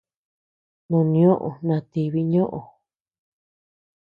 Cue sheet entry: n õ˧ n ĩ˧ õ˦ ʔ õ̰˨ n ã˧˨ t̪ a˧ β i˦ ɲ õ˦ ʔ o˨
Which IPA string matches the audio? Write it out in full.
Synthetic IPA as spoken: n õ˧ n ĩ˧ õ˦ ʔ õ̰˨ n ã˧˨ t̪ i˧ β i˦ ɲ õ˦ ʔ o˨